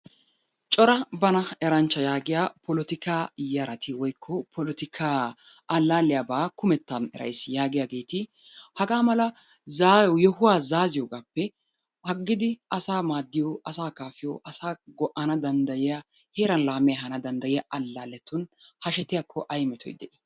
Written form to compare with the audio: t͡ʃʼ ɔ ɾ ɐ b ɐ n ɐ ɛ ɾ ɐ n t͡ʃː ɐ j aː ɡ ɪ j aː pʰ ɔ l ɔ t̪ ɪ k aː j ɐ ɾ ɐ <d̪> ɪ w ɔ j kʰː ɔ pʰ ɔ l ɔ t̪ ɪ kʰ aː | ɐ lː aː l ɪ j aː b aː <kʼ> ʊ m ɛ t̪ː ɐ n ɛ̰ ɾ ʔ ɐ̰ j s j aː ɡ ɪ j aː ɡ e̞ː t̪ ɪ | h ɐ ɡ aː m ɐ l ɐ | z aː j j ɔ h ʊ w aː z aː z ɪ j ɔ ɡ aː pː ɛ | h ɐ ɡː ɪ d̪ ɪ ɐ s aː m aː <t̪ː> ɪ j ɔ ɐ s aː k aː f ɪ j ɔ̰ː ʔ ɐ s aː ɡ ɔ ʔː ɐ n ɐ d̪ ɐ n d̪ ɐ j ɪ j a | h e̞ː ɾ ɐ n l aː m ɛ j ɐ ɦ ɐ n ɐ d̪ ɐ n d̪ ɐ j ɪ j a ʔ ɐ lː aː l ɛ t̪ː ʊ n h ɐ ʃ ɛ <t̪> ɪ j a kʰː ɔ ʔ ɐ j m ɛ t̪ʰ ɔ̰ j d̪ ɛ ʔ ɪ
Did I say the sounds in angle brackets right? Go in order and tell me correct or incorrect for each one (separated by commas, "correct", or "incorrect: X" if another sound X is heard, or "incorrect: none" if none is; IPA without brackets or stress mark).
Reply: incorrect: t̪, incorrect: k, incorrect: d̪ː, correct